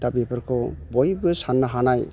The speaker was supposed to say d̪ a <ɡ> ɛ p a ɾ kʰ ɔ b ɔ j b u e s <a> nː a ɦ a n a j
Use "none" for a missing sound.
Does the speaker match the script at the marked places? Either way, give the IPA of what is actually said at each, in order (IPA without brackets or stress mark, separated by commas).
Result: b, a